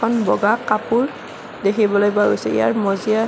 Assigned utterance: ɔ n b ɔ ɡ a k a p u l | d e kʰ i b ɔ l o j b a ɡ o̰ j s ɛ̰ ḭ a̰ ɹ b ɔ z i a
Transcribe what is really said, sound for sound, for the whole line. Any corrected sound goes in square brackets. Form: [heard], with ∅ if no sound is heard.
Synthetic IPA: ɔ n b ɔ ɡ a k a p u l | d e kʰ i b ɔ l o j b a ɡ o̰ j s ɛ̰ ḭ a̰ ɹ [m] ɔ z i a